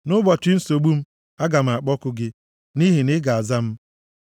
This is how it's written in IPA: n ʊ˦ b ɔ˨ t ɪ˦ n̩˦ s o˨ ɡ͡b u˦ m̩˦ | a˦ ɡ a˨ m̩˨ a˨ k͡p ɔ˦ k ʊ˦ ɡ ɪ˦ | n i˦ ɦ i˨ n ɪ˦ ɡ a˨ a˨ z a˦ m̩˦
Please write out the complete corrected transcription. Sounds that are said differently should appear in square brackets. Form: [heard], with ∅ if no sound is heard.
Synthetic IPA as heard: n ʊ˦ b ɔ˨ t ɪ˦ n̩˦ s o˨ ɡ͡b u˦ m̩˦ | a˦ ɡ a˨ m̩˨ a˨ k͡p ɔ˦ k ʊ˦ ɡ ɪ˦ | n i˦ ɦ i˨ n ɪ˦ ɡ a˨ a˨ z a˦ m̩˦